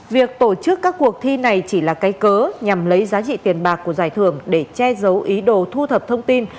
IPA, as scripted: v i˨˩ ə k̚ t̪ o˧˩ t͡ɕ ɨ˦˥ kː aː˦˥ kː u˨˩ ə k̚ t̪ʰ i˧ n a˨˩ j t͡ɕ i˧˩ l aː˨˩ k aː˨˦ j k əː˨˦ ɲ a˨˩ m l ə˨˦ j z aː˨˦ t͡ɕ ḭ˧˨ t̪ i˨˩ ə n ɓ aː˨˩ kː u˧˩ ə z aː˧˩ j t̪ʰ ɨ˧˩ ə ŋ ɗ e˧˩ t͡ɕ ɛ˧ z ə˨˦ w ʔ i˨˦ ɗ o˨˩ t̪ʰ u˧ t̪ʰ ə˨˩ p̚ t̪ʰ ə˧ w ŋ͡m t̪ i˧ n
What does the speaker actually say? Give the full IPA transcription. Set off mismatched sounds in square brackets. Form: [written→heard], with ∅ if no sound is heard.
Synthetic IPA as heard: v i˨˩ ə k̚ t̪ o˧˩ t͡ɕ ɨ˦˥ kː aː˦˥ kː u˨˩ ə k̚ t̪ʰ i˧ n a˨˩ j t͡ɕ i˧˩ l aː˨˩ k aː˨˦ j k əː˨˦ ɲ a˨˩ m l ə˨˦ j z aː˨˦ t͡ɕ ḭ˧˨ t̪ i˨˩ ə n ɓ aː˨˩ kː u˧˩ ə z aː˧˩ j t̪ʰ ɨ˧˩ ə ŋ ɗ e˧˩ t͡ɕ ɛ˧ z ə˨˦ w ʔ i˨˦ ɗ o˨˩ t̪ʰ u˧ t̪ʰ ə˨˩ p̚ t̪ʰ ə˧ w ŋ͡m t̪ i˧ n